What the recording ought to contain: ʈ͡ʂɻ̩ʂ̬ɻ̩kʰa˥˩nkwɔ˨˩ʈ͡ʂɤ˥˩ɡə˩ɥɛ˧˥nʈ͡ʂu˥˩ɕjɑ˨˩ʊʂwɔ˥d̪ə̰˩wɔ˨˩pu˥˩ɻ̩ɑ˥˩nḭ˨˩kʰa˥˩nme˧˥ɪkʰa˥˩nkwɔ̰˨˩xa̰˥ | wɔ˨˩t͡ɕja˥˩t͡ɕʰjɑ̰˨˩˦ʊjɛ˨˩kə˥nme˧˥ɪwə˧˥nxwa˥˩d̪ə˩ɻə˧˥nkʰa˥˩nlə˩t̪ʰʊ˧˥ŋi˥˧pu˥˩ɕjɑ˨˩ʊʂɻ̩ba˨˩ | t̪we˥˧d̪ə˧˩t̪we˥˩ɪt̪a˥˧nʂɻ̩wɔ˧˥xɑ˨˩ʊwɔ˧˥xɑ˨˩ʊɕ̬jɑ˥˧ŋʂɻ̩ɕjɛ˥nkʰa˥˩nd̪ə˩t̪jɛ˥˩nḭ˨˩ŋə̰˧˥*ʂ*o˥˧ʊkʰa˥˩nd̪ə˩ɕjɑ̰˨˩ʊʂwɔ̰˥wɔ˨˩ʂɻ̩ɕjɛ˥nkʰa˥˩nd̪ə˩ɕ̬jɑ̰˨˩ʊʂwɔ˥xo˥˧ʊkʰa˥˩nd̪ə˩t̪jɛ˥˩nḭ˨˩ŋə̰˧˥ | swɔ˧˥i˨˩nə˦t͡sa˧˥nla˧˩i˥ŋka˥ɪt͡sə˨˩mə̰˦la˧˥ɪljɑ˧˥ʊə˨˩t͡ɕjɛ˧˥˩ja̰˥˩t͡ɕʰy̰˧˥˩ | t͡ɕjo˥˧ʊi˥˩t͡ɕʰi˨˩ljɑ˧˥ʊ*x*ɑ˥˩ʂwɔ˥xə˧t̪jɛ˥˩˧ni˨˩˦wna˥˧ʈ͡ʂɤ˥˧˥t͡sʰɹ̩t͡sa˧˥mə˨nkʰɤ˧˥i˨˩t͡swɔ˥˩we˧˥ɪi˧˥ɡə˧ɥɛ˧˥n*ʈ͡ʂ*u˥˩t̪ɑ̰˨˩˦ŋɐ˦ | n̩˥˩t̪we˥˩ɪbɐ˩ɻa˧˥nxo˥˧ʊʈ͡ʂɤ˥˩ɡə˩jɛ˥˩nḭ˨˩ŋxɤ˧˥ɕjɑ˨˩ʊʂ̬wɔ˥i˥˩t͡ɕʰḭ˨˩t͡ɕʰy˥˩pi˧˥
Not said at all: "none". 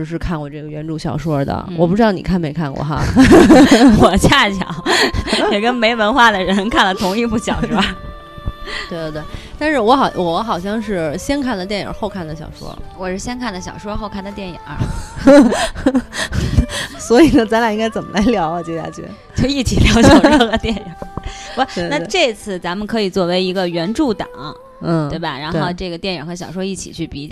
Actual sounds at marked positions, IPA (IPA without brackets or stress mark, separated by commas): x, ɕ, ʈ͡ʂ